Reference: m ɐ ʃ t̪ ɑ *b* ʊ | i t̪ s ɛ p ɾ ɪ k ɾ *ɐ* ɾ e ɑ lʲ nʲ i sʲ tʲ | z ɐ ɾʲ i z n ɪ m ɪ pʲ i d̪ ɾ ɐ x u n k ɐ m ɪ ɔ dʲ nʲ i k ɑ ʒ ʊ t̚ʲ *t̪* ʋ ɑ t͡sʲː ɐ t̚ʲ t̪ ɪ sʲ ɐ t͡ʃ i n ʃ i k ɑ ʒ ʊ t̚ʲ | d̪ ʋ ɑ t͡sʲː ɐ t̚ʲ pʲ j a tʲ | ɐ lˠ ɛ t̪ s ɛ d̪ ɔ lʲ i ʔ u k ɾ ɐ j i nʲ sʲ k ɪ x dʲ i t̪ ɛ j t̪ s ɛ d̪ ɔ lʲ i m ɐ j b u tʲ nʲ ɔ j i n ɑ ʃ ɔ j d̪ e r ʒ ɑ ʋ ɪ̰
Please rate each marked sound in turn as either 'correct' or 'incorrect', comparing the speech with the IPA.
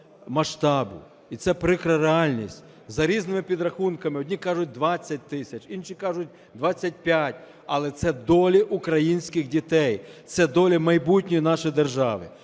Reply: correct, correct, incorrect

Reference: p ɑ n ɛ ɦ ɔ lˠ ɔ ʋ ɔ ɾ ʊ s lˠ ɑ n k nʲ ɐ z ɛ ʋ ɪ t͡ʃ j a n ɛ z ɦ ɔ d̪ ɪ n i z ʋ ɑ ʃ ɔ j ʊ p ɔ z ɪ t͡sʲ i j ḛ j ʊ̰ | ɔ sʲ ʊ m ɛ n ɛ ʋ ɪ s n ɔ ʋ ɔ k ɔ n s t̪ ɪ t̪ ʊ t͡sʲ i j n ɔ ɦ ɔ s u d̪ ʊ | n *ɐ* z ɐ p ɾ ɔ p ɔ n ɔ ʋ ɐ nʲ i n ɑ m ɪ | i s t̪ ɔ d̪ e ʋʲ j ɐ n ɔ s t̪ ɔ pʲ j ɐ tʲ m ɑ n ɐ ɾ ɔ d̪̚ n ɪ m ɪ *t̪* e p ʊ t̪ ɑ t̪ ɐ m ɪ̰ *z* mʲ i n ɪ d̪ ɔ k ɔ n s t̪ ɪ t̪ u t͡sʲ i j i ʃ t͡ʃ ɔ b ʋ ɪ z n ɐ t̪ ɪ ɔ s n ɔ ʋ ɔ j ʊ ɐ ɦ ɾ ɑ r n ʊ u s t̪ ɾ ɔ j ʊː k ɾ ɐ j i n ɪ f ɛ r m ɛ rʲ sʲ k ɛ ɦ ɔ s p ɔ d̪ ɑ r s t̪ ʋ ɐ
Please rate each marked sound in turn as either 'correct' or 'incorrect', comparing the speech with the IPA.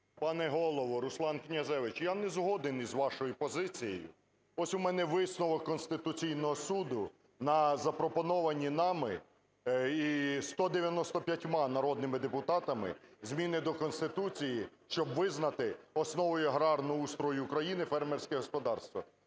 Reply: correct, incorrect, correct

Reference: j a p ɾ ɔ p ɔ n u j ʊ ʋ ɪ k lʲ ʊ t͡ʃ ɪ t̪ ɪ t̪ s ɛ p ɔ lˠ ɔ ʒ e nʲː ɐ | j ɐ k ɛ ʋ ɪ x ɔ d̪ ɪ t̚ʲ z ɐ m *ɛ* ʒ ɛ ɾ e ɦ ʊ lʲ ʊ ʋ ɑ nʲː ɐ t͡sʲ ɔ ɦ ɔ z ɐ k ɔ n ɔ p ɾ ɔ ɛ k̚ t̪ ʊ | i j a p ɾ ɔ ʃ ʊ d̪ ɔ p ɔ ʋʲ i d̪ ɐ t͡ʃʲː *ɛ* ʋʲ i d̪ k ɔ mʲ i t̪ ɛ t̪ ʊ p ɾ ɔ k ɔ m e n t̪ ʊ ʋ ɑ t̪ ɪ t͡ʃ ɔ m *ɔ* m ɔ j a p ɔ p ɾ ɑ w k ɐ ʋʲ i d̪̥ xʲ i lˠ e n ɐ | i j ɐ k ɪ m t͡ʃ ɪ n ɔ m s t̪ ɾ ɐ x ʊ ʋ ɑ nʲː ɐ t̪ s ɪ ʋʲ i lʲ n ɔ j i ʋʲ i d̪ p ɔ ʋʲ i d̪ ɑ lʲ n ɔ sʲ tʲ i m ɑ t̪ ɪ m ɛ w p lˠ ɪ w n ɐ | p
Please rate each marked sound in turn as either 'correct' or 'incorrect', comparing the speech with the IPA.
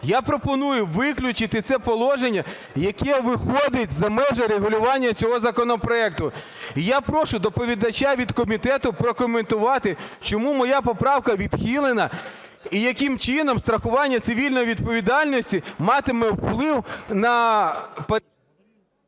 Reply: correct, incorrect, incorrect

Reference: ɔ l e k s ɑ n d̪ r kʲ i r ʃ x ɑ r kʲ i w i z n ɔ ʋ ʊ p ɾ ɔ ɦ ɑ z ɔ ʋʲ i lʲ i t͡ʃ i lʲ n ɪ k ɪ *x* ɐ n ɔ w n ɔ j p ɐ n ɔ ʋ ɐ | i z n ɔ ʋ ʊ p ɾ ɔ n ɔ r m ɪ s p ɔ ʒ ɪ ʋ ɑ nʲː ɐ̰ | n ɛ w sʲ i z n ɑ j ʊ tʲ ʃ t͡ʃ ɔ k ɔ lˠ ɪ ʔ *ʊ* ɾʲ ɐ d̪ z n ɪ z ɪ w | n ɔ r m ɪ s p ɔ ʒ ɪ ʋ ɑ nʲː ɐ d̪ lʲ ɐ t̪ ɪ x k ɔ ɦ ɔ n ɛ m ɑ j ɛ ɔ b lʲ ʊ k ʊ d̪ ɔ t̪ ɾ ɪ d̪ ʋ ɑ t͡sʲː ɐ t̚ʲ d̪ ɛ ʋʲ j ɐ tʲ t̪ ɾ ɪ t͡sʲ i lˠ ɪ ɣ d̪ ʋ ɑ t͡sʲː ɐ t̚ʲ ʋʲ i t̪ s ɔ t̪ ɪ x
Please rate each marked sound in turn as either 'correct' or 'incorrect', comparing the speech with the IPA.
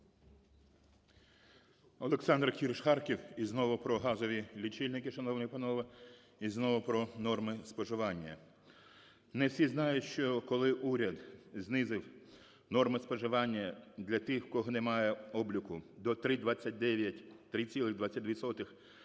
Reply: incorrect, incorrect

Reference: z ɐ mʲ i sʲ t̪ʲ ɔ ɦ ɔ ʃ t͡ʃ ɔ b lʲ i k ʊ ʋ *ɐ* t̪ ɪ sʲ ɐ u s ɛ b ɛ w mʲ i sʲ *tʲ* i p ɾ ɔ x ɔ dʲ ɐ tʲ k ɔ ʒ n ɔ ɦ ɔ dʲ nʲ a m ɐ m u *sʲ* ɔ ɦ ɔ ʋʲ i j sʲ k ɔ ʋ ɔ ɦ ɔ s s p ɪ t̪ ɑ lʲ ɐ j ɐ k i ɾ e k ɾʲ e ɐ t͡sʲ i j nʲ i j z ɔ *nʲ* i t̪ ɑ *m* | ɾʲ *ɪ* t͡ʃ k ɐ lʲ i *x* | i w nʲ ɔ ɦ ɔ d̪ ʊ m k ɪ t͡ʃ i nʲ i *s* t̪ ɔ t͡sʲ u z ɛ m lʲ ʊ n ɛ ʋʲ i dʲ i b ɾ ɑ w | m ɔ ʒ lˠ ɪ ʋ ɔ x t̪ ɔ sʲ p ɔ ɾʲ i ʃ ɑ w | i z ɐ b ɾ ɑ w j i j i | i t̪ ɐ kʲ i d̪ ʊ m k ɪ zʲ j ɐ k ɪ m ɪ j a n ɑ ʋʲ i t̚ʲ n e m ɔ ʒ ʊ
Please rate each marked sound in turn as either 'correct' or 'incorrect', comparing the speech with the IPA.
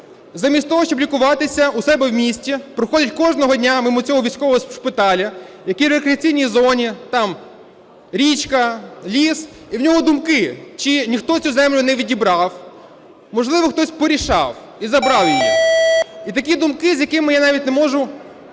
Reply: incorrect, correct, incorrect, correct, correct, incorrect, incorrect, incorrect

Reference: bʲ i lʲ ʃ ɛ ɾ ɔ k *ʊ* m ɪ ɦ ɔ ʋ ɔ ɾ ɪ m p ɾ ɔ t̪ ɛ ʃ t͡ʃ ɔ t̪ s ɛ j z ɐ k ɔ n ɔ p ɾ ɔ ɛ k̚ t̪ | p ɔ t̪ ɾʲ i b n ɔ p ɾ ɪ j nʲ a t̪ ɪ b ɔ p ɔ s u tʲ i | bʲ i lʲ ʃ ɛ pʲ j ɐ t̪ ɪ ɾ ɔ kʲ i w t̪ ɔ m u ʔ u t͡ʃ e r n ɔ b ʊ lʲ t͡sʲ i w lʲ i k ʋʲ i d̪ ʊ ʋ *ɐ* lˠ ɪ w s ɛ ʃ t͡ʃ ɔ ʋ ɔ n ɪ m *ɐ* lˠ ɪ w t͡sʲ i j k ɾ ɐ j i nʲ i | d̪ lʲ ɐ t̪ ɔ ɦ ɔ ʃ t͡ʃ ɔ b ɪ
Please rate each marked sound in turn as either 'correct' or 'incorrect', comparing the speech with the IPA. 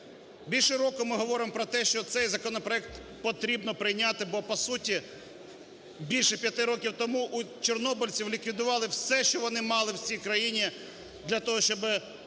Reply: correct, incorrect, incorrect

